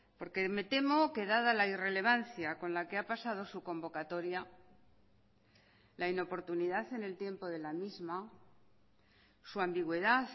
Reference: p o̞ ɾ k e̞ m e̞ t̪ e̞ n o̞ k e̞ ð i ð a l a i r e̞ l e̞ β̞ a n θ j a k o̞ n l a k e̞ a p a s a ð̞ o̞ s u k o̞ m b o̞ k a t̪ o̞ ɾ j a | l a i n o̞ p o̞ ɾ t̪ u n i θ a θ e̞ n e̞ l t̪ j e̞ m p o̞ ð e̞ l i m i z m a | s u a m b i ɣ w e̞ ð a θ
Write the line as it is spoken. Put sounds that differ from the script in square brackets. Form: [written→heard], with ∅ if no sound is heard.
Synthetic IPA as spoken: p o̞ ɾ k e̞ m e̞ t̪ e̞ [n→m] o̞ k e̞ ð [i→a] ð a l a i r e̞ l e̞ β̞ a n θ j a k o̞ n l a k e̞ a p a s a ð̞ o̞ s u k o̞ m b o̞ k a t̪ o̞ ɾ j a | l a i n o̞ p o̞ ɾ t̪ u n i [θ→ð] a θ e̞ n e̞ l t̪ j e̞ m p o̞ ð e̞ l [i→a] m i z m a | s u a m b i ɣ w e̞ ð a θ

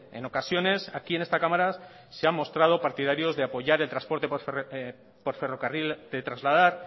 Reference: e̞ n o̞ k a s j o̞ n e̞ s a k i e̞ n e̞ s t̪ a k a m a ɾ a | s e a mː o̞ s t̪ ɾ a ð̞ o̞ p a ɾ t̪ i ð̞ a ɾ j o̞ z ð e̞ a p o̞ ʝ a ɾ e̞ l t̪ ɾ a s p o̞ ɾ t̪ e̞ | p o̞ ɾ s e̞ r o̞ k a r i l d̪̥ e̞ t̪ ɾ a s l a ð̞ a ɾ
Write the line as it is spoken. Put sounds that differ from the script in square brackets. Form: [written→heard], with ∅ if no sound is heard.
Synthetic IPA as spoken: e̞ n o̞ k a s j o̞ n e̞ s a k i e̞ n e̞ s t̪ a k a m a ɾ a | s e a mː o̞ s t̪ ɾ a ð̞ o̞ p a ɾ t̪ i ð̞ a ɾ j o̞ z ð e̞ a p o̞ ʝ a ɾ e̞ l t̪ ɾ a s p o̞ ɾ t̪ e̞ | p o̞ ɾ [s→f] e̞ r o̞ k a r i l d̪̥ e̞ t̪ ɾ a [s→z] l a ð̞ a ɾ

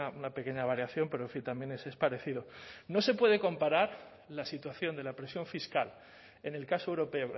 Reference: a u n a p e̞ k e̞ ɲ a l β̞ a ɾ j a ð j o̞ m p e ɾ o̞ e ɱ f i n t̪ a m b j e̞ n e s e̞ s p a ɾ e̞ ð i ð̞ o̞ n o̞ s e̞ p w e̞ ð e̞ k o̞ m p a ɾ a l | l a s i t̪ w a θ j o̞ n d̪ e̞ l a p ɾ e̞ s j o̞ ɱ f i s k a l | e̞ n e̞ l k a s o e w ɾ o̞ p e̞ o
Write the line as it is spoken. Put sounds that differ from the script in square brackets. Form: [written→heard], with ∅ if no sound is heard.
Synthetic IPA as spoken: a u n a p e̞ k e̞ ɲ a [l→∅] β̞ a ɾ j a [ð→θ] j o̞ m p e ɾ o̞ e ɱ f i n t̪ a m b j e̞ n e s e̞ s p a ɾ e̞ [ð→θ] i ð̞ o̞ n o̞ s e̞ p w e̞ ð e̞ k o̞ m p a ɾ a [l→ɾ] | l a s i t̪ w a θ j o̞ n d̪ e̞ l a p ɾ e̞ s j o̞ ɱ f i s k a l | e̞ n e̞ l k a s o e w ɾ o̞ p e̞ o

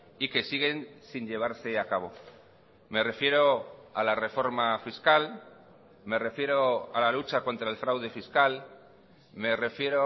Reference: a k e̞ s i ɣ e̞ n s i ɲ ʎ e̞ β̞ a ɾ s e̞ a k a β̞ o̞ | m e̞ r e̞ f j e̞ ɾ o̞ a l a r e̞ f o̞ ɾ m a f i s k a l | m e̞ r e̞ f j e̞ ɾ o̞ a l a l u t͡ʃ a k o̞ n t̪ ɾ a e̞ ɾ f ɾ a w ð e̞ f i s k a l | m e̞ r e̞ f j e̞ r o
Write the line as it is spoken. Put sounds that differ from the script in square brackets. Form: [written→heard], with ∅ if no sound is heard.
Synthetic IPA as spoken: [a→i] k e̞ s i ɣ e̞ n s i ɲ ʎ e̞ β̞ a ɾ s e̞ a k a β̞ o̞ | m e̞ r e̞ f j e̞ ɾ o̞ a l a r e̞ f o̞ ɾ m a f i s k a l | m e̞ r e̞ f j e̞ ɾ o̞ a l a l u t͡ʃ a k o̞ n t̪ ɾ a e̞ [ɾ→l] f ɾ a w ð e̞ f i s k a l | m e̞ r e̞ f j e̞ [r→ɾ] o

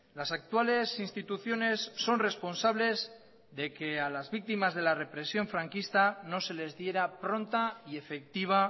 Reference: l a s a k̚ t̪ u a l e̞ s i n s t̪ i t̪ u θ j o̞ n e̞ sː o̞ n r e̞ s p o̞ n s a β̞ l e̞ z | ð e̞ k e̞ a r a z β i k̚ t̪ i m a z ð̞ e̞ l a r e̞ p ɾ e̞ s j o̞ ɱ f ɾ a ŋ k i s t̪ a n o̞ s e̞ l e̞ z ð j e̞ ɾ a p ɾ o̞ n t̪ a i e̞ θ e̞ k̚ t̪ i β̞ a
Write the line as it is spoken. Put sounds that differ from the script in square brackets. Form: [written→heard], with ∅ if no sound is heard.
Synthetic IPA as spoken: l a s a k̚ t̪ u a l e̞ s i n s t̪ i t̪ u θ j o̞ n e̞ sː o̞ n r e̞ s p o̞ n s a β̞ l e̞ z | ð e̞ k e̞ a [r→l] a z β i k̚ t̪ i m a z ð̞ e̞ l a r e̞ p ɾ e̞ s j o̞ ɱ f ɾ a ŋ k i s t̪ a n o̞ s e̞ l e̞ z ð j e̞ ɾ a p ɾ o̞ n t̪ a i e̞ [θ→f] e̞ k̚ t̪ i β̞ a

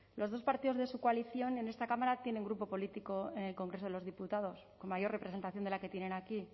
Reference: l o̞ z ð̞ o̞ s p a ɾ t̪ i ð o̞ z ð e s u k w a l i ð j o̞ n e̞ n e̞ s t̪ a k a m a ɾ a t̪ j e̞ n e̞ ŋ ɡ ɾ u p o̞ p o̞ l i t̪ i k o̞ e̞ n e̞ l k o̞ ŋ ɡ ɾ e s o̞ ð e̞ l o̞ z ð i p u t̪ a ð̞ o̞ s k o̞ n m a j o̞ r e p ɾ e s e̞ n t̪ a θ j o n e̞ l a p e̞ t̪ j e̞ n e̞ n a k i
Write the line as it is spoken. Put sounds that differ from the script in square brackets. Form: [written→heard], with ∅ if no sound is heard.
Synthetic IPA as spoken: l o̞ z ð̞ o̞ s p a ɾ t̪ i ð o̞ z ð e s u k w a l i [ð→θ] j o̞ n e̞ n e̞ s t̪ a k a m a ɾ a t̪ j e̞ n e̞ ŋ ɡ ɾ u p o̞ p o̞ l i t̪ i k o̞ e̞ n e̞ l k o̞ ŋ ɡ ɾ e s o̞ ð e̞ l o̞ z ð i p u t̪ a ð̞ o̞ s k o̞ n m a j o̞ r e p ɾ e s e̞ n t̪ a θ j o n e̞ l a [p→k] e̞ t̪ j e̞ n e̞ n a k i

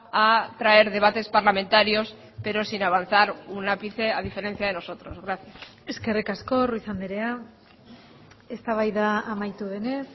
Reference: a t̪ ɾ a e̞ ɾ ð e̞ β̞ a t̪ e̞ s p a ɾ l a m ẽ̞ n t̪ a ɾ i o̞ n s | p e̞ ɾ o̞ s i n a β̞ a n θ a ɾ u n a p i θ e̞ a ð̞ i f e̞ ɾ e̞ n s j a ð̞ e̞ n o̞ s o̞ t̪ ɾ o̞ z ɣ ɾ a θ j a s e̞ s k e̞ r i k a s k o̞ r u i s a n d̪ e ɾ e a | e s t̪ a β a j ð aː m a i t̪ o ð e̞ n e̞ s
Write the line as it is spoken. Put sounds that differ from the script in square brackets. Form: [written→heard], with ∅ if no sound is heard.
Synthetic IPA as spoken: a t̪ ɾ a e̞ ɾ ð e̞ β̞ a t̪ e̞ s p a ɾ l a m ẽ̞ n t̪ a ɾ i o̞ [n→∅] s | p e̞ ɾ o̞ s i n a β̞ a n θ a ɾ u n a p i θ e̞ a ð̞ i f e̞ ɾ e̞ n [s→θ] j a ð̞ e̞ n o̞ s o̞ t̪ ɾ o̞ z ɣ ɾ a θ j a s e̞ s k e̞ r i k a s k o̞ r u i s a n d̪ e ɾ e a | e s t̪ a β a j ð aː m a [i→j] t̪ [o→u] ð e̞ n e̞ s

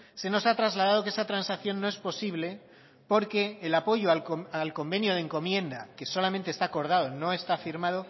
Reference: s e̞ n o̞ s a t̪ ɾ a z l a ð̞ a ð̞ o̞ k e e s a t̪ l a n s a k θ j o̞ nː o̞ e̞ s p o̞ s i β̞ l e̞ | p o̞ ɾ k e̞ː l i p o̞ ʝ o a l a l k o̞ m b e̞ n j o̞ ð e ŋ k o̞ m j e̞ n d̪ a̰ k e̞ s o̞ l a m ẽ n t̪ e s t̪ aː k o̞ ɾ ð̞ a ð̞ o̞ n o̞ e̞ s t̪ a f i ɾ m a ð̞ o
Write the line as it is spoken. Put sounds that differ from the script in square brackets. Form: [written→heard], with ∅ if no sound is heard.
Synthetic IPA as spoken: s e̞ n o̞ s a t̪ ɾ a z l a ð̞ a ð̞ o̞ k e e s a t̪ [l→ɾ] a n s a k θ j o̞ nː o̞ e̞ s p o̞ s i β̞ l e̞ | p o̞ ɾ k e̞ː l [i→a] p o̞ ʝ o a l a l k o̞ m b e̞ n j o̞ ð e ŋ k o̞ m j e̞ n d̪ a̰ k e̞ s o̞ l a m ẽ n t̪ e s t̪ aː k o̞ ɾ ð̞ a ð̞ o̞ n o̞ e̞ s t̪ a f i ɾ m a ð̞ o

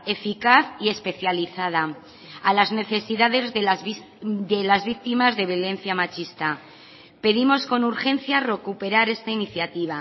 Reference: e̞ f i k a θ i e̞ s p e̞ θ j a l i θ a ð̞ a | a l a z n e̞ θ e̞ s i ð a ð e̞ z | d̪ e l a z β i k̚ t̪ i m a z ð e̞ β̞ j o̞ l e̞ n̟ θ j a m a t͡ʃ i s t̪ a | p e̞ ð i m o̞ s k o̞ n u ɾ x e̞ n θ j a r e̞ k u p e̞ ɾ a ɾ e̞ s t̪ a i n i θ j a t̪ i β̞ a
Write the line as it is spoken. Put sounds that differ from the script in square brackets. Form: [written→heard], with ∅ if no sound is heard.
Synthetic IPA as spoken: e̞ f i k a θ i e̞ s p e̞ θ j a l i θ a ð̞ a | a l a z n e̞ θ e̞ s i ð a ð e̞ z | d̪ e l a z β i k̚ t̪ i m a z ð e̞ β̞ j o̞ l e̞ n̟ θ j a m a t͡ʃ i s t̪ a | p e̞ ð i m o̞ s k o̞ n u ɾ x e̞ n θ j a r e̞ k u p e̞ ɾ a ɾ e̞ s t̪ a i n i θ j a t̪ i β̞ a

